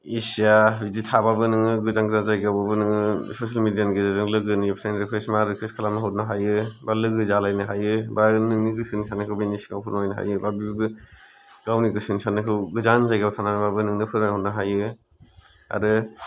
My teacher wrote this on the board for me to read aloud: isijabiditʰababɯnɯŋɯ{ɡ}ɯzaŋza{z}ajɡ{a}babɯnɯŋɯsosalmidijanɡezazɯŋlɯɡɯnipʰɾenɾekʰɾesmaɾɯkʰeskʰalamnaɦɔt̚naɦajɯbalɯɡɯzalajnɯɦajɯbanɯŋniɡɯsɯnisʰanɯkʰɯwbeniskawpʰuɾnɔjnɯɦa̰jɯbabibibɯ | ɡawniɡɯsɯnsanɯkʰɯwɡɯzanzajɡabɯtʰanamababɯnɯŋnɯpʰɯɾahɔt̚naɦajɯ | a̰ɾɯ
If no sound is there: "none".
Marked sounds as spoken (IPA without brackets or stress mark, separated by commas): ɡ, z, a